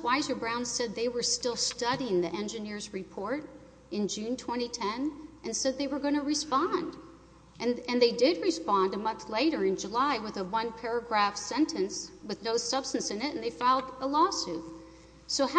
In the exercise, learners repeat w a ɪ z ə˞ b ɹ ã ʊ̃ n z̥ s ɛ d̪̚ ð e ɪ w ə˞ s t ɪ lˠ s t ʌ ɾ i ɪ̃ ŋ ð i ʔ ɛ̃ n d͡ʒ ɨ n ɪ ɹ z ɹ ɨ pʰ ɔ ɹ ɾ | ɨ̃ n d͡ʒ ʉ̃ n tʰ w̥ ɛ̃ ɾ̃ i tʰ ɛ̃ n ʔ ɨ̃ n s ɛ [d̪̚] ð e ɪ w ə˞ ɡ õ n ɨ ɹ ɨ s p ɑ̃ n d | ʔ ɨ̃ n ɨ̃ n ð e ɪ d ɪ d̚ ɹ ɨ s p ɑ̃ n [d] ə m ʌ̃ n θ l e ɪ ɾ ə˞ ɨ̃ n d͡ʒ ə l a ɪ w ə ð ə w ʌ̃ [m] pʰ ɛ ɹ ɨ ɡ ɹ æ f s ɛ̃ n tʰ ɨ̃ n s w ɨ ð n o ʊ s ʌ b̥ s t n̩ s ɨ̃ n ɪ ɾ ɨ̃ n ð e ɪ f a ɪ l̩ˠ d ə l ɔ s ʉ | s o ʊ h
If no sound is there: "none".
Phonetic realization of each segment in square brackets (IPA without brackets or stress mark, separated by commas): d̪̚, d, n